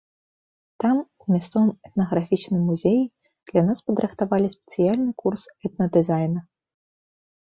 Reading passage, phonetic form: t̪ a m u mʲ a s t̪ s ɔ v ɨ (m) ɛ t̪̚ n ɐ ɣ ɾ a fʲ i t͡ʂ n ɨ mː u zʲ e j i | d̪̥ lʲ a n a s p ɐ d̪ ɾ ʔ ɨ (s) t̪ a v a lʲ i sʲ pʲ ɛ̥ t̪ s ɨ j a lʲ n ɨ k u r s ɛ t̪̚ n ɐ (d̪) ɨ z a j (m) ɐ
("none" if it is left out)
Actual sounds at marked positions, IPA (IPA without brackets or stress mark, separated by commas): m, x, d̪, n